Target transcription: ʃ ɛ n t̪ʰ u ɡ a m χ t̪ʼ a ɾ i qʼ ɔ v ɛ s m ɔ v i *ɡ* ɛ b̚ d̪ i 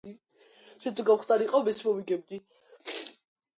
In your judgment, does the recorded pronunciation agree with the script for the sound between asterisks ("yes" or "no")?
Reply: yes